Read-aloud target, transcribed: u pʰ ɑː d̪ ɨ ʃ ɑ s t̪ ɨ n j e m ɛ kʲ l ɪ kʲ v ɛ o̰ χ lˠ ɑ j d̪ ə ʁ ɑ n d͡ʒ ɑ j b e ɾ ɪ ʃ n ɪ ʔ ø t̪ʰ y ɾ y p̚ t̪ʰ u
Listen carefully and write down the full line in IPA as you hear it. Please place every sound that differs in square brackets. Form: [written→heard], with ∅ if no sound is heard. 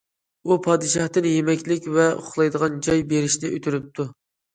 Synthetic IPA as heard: u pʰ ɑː d̪ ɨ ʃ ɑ [s→h] t̪ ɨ n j e m ɛ kʲ l ɪ kʲ v ɛ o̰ χ lˠ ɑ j d̪ ə ʁ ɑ n d͡ʒ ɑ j b e ɾ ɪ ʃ n ɪ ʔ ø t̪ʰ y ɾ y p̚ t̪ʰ u

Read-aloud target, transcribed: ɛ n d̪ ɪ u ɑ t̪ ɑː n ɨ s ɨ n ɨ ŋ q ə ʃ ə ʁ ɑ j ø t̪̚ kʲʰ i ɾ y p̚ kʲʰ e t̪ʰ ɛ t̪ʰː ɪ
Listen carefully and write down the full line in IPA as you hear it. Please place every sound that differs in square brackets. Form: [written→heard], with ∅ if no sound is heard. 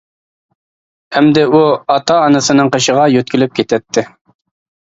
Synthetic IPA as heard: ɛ [n→m] d̪ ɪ u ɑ t̪ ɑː n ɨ s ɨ n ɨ ŋ q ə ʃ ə ʁ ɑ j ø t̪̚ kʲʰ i [ɾ→l] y p̚ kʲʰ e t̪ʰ ɛ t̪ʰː ɪ

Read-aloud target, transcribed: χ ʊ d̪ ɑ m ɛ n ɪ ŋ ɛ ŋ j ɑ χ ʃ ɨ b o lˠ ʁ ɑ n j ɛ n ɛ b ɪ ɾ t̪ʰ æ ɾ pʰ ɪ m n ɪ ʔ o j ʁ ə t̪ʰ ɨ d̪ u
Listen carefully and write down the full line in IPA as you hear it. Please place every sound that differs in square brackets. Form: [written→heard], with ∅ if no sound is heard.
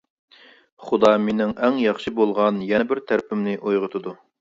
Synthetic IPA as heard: χ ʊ d̪ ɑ m [ɛ→e] n ɪ ŋ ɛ ŋ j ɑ χ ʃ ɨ b o lˠ ʁ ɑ n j ɛ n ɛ b ɪ ɾ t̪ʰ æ ɾ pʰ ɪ m n ɪ ʔ o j ʁ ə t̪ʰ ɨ d̪ u

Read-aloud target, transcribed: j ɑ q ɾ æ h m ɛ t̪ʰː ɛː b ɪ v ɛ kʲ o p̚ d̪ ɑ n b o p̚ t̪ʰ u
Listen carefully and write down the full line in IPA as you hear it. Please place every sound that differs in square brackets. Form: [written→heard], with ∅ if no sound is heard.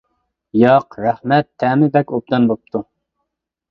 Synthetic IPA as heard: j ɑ q ɾ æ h m ɛ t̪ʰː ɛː [b→m] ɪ [v→b] ɛ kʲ o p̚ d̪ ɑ n b o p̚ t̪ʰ u

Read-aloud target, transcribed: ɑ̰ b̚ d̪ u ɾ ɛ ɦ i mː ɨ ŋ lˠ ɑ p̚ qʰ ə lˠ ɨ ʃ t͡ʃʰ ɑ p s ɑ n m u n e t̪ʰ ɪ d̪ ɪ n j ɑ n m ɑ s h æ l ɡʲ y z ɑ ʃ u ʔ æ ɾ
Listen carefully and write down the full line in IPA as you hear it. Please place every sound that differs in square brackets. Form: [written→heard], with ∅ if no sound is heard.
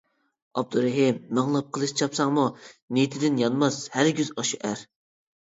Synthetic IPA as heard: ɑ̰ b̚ d̪ u ɾ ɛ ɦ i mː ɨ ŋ lˠ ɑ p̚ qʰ ə lˠ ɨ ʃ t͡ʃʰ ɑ p s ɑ [n→ŋ] m u n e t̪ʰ ɪ d̪ ɪ n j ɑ n m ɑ s h æ [l→ɾ] ɡʲ y z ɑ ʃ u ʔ æ ɾ

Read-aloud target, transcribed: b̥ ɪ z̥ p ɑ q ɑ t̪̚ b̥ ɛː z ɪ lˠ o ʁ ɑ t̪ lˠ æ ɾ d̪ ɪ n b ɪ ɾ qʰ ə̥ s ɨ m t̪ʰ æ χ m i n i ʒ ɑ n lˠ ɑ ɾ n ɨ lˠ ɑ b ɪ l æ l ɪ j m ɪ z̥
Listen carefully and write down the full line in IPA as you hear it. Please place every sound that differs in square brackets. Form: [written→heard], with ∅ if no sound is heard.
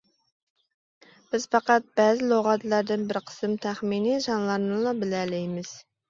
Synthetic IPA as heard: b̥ ɪ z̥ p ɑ q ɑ t̪̚ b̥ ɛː z ɪ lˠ o ʁ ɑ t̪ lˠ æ ɾ d̪ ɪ n b ɪ ɾ qʰ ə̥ s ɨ m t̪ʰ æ χ m i n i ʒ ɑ n lˠ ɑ ɾ n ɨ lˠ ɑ b ɪ l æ l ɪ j m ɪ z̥

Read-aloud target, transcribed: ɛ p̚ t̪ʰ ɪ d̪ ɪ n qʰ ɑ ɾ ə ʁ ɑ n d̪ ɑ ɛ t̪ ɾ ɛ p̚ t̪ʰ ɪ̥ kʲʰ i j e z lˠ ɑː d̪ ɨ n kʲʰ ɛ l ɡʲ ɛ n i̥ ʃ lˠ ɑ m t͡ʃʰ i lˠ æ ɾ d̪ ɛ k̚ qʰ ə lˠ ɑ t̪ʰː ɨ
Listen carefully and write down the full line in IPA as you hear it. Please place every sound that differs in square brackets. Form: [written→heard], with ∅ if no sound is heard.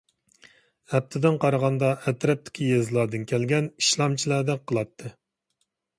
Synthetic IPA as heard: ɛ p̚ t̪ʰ ɪ d̪ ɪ n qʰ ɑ ɾ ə ʁ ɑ n d̪ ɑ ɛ t̪ ɾ ɛ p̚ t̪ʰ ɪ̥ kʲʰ i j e z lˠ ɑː d̪ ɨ n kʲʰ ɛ l ɡʲ ɛ n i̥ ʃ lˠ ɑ m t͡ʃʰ i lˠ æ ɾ d̪ ɛ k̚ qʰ ə lˠ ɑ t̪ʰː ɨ

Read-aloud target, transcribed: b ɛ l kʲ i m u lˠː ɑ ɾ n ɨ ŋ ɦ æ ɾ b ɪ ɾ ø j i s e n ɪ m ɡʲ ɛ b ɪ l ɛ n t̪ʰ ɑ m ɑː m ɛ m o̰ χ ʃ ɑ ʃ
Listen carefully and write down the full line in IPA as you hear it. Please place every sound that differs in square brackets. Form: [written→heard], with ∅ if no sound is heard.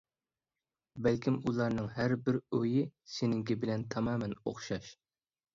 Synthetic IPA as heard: b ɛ l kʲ i m u [lˠː→lˠ] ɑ ɾ n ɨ ŋ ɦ æ ɾ b ɪ ɾ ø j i s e n ɪ [m→ŋ] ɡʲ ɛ b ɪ l ɛ n t̪ʰ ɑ m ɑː m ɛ [m→n] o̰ χ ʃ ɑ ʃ

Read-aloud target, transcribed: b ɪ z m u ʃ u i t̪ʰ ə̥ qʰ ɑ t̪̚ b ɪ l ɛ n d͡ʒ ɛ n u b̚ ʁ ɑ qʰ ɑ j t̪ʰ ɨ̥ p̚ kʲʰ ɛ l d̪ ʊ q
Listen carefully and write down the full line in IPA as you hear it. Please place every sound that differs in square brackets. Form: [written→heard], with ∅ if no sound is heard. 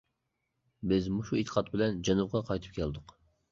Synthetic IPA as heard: b ɪ z m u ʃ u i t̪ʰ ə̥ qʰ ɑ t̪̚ b ɪ l ɛ n d͡ʒ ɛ n u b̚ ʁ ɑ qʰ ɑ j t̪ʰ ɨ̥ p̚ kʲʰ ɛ l d̪ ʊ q

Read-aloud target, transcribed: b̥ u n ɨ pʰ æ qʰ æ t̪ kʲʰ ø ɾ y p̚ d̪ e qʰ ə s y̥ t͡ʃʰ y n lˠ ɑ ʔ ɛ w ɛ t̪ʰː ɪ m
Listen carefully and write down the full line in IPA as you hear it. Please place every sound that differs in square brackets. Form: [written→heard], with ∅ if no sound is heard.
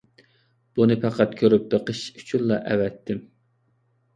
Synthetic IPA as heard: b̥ u n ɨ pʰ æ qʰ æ t̪ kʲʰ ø ɾ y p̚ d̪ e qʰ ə [s→ʃ] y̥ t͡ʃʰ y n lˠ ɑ ʔ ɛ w ɛ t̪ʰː ɪ m

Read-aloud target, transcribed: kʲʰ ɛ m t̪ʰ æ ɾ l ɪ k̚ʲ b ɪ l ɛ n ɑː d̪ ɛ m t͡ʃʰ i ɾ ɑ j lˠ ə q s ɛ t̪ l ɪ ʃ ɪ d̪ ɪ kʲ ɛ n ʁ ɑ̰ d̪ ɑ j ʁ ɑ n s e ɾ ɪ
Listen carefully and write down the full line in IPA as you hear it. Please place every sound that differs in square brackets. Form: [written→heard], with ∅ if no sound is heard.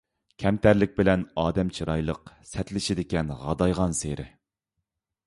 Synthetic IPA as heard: kʲʰ ɛ m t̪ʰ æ ɾ l ɪ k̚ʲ b ɪ l ɛ n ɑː d̪ ɛ m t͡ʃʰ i ɾ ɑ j lˠ ə q s ɛ t̪ l ɪ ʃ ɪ d̪ ɪ kʲ ɛ n ʁ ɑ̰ d̪ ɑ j ʁ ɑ n s e ɾ ɪ

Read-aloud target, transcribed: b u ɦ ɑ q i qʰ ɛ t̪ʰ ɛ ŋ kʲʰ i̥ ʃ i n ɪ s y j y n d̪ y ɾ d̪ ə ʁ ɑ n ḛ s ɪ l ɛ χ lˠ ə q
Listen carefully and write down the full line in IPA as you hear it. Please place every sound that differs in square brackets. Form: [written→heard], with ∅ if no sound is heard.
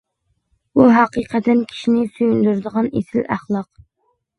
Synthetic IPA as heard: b u ɦ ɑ q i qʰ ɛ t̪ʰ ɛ [ŋ→n] kʲʰ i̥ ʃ i n ɪ s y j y n d̪ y ɾ d̪ ə ʁ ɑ n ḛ s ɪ l [ɛ→æ] χ lˠ [ə→ɑ] q

